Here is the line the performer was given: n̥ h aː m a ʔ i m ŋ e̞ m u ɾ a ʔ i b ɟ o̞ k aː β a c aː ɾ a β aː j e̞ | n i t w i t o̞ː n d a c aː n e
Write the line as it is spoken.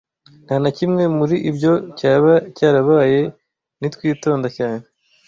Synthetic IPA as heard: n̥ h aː n a c i m ŋ e̞ m u ɾ i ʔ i b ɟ o̞ c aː β a c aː ɾ a β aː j e̞ | n i t w iː t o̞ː n d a c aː n e